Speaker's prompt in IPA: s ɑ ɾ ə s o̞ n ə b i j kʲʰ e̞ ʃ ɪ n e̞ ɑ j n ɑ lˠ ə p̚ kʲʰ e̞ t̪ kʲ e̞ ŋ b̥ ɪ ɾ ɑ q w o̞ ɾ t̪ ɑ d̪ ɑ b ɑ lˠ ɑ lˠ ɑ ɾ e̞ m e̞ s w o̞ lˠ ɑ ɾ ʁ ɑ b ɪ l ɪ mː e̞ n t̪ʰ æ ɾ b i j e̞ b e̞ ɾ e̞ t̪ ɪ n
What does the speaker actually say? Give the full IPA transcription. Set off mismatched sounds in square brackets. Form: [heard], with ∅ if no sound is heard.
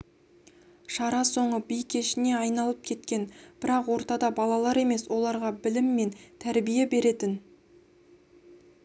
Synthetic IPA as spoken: [ʃ] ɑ ɾ [ɑ] s o̞ [ɴ] ə b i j kʲʰ e̞ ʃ ɪ n e̞ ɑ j n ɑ lˠ ə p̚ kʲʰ e̞ t̪ kʲ e̞ [n] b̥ ɪ ɾ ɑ q w o̞ ɾ t̪ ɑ d̪ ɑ b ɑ lˠ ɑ lˠ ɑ ɾ e̞ m e̞ s w o̞ lˠ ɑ ɾ ʁ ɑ b ɪ l ɪ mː e̞ n t̪ʰ æ ɾ b i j e̞ b e̞ ɾ e̞ t̪ ɪ n

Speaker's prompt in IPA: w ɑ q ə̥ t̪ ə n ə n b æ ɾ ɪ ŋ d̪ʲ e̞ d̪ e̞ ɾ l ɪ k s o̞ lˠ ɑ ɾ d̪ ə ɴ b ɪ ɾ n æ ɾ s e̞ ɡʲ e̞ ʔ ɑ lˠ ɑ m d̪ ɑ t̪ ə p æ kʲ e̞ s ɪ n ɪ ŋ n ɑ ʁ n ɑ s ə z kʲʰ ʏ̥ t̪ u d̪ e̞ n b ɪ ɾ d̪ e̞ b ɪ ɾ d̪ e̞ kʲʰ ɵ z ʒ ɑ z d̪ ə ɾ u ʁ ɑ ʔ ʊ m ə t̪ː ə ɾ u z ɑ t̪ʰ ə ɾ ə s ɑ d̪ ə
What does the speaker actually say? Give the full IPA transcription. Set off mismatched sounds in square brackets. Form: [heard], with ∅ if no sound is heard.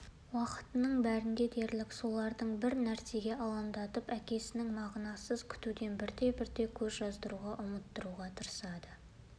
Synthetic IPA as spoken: w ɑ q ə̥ t̪ ə n ə [ɴ] b æ ɾ ɪ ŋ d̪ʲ e̞ d̪ e̞ ɾ l ɪ k s o̞ lˠ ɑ ɾ d̪ ə ɴ b ɪ ɾ n æ ɾ s e̞ ɡʲ e̞ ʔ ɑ lˠ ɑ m d̪ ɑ t̪ ə p æ kʲ e̞ s ɪ n ɪ ŋ [m] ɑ ʁ n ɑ s ə z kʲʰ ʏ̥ t̪ u d̪ e̞ n b ɪ ɾ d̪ e̞ b ɪ ɾ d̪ e̞ kʲʰ ɵ z ʒ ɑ z d̪ ə ɾ u ʁ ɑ ʔ ʊ m ə t̪ː ə ɾ u [ʁ] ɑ t̪ʰ ə ɾ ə s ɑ d̪ ə

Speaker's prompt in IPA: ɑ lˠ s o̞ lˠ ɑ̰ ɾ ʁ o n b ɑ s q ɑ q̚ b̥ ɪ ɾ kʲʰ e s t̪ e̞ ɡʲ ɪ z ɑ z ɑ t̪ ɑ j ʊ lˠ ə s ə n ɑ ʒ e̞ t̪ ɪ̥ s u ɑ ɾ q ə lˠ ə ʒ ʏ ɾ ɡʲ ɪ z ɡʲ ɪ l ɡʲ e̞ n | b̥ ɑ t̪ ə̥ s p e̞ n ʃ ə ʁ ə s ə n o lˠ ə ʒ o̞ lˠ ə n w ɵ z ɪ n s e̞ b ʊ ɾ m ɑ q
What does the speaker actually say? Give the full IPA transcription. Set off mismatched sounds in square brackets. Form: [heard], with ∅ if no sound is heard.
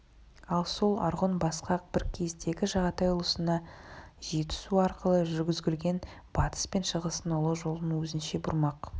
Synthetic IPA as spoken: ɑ lˠ s o̞ lˠ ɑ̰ ɾ ʁ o n b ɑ s q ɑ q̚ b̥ ɪ ɾ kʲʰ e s t̪ e̞ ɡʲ ɪ [ʒ] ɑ [ʁ] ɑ t̪ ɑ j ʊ lˠ ə s ə n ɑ ʒ e̞ t̪ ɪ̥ s u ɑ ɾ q ə lˠ ə ʒ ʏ ɾ ɡʲ ɪ z ɡʲ ɪ l ɡʲ e̞ n | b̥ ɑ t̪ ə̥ s p e̞ n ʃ ə ʁ ə s ə n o lˠ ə ʒ o̞ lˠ ə n w ɵ z ɪ n [ʃ] e̞ b ʊ ɾ m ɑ q

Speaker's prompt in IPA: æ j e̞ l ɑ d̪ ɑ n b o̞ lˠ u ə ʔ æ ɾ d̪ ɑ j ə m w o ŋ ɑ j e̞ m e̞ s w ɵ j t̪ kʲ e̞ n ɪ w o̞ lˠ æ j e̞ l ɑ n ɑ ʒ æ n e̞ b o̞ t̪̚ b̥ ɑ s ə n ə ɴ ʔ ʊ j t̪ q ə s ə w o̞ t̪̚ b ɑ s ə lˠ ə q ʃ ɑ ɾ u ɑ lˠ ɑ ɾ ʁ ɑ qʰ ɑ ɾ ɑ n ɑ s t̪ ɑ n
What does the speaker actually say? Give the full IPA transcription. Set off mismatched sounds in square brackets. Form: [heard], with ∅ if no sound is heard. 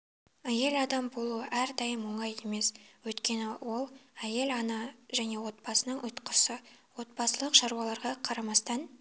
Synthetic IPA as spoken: æ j e̞ l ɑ d̪ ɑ [m] b o̞ lˠ u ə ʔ æ ɾ d̪ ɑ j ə m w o [ɴ] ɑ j e̞ m e̞ s w ɵ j t̪ kʲ e̞ n ɪ w o̞ lˠ æ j e̞ l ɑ n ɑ ʒ æ n e̞ [w] o̞ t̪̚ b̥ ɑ s ə n ə ɴ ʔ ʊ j t̪ q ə s ə w o̞ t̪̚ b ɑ s ə lˠ ə q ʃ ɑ ɾ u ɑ lˠ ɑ ɾ ʁ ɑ qʰ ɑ ɾ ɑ [m] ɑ s t̪ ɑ n

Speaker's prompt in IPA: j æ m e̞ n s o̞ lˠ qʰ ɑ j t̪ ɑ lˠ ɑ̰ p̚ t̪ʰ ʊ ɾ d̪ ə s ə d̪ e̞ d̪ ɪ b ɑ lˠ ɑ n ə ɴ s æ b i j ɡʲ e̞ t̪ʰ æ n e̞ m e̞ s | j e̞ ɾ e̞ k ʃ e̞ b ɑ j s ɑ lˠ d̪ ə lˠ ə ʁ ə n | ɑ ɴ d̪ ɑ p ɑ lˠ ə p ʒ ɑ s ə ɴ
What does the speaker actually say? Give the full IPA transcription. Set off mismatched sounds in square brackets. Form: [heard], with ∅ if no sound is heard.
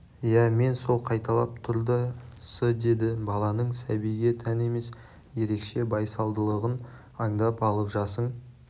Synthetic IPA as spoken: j æ m e̞ n s o̞ lˠ qʰ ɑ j t̪ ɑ lˠ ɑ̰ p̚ t̪ʰ ʊ ɾ d̪ ə s ə d̪ e̞ d̪ ɪ b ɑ lˠ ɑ n ə ɴ s æ b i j ɡʲ e̞ t̪ʰ æ n e̞ m e̞ s | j e̞ ɾ e̞ k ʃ e̞ b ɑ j s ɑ lˠ d̪ ə lˠ ə ʁ ə n | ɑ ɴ d̪ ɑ p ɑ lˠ ə p ʒ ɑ s ə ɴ

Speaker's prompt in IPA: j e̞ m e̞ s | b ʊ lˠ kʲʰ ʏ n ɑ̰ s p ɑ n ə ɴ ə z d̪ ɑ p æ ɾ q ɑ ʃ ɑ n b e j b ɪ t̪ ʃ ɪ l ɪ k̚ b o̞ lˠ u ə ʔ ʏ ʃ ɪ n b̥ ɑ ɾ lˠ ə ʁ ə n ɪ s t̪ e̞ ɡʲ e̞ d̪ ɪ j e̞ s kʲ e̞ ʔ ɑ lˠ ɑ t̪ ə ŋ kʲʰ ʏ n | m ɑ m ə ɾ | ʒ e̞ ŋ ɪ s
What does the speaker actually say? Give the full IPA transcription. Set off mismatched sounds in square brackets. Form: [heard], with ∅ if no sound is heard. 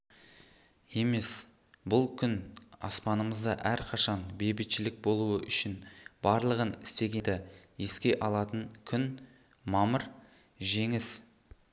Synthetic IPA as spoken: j e̞ m e̞ s | b ʊ lˠ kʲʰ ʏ n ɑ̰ s p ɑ n ə [m] ə z d̪ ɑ [ʔ] æ ɾ [qʰ] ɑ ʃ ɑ n b e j b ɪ t̪ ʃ ɪ l ɪ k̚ b o̞ lˠ u ə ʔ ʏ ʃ ɪ n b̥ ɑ ɾ lˠ ə ʁ ə n ɪ s t̪ e̞ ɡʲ e̞ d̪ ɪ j e̞ s kʲ e̞ ʔ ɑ lˠ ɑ t̪ ə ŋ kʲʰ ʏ n | m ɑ m ə ɾ | ʒ e̞ ŋ ɪ s

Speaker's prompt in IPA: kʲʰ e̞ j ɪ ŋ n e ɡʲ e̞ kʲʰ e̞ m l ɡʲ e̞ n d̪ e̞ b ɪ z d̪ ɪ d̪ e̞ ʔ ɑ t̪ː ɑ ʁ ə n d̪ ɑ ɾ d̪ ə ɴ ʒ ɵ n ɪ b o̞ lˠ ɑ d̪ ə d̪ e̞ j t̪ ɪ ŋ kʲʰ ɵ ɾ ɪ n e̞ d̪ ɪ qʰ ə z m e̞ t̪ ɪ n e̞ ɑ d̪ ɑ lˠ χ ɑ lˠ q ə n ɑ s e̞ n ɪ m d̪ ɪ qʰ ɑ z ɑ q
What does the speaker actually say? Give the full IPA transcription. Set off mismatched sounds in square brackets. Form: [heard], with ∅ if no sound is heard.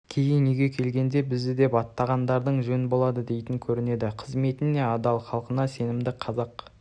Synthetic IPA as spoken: kʲʰ e̞ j ɪ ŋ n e ɡʲ e̞ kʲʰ e̞ [∅] l ɡʲ e̞ n d̪ e̞ b ɪ z d̪ ɪ d̪ e̞ [p] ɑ t̪ː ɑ ʁ [ɑ] n d̪ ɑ ɾ d̪ ə ɴ ʒ ɵ n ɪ b o̞ lˠ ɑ d̪ ə d̪ e̞ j t̪ ɪ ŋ kʲʰ ɵ ɾ ɪ n e̞ d̪ ɪ qʰ ə z m e̞ t̪ ɪ n e̞ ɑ d̪ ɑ lˠ χ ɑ lˠ q ə n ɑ s e̞ n ɪ m d̪ ɪ qʰ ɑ z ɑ q

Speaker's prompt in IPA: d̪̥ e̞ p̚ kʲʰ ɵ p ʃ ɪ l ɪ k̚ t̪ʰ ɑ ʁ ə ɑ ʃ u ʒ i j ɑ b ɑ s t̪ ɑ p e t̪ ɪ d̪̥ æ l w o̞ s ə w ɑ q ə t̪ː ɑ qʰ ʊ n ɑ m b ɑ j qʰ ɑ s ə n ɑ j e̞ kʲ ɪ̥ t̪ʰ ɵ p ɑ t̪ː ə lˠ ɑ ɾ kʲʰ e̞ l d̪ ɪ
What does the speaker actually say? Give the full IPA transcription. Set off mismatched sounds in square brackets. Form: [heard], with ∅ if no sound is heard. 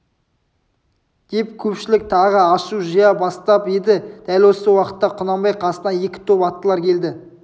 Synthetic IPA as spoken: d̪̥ e̞ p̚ kʲʰ ɵ p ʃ ɪ l ɪ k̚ t̪ʰ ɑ ʁ ə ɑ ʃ u ʒ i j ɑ b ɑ s t̪ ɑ p e [d̪] ɪ d̪̥ æ l w o̞ s ə w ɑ q ə t̪ː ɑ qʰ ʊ n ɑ m b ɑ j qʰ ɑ s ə n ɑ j e̞ kʲ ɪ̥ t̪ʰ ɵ p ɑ t̪ː ə lˠ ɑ ɾ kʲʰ e̞ l d̪ ɪ

